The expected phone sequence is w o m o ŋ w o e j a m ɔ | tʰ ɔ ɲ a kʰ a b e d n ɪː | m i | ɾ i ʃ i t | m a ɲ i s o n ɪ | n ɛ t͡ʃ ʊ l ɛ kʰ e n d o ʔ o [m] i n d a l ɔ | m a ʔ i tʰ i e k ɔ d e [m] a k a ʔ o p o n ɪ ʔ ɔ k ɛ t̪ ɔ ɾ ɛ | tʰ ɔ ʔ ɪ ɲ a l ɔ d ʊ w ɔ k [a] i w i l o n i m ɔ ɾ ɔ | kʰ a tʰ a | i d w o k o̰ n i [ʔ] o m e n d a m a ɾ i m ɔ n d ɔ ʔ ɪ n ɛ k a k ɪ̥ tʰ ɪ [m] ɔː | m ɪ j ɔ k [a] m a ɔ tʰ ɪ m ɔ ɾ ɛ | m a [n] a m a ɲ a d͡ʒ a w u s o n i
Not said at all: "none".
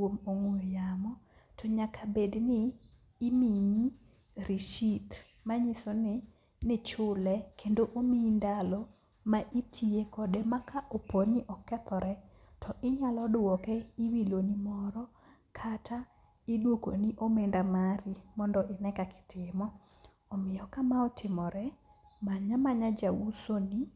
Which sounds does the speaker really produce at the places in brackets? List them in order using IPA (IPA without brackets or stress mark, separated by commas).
m, m, ɛ, ʔ, m, a, ɲ